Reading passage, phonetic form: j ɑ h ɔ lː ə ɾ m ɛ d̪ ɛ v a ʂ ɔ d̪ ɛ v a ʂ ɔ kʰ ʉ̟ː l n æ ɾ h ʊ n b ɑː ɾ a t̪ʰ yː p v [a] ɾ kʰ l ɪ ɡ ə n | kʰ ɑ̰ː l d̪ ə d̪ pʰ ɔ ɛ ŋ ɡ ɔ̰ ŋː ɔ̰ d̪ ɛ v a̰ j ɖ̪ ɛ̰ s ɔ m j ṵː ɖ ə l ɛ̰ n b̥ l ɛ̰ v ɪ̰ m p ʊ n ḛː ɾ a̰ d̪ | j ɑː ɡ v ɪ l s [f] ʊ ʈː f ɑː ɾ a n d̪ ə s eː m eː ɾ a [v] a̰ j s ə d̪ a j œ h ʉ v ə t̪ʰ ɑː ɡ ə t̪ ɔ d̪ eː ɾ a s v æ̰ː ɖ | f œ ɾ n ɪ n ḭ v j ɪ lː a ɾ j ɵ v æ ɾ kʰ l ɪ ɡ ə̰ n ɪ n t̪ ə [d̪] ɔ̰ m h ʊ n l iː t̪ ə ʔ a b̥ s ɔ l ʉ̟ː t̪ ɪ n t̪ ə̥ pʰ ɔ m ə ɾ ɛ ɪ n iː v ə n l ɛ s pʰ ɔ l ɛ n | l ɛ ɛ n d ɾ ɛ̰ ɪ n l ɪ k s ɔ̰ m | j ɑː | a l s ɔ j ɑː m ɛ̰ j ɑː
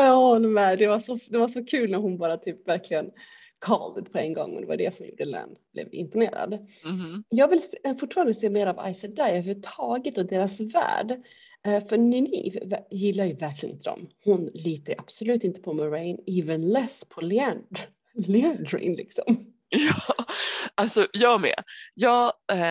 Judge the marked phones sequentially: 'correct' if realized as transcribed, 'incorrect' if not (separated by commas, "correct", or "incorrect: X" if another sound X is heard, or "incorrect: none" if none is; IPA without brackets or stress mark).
incorrect: æ, correct, correct, correct